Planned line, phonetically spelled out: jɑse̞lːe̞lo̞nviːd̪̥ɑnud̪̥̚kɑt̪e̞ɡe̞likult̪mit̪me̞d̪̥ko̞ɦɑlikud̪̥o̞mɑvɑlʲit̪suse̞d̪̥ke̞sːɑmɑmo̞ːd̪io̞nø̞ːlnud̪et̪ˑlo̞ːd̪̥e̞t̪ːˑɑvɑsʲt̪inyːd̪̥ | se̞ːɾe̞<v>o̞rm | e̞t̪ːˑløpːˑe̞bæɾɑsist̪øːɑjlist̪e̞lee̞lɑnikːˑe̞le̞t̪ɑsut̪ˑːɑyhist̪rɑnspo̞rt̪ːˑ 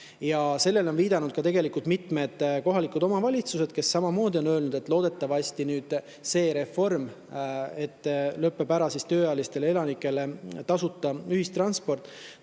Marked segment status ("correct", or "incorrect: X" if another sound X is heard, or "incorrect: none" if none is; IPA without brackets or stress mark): incorrect: f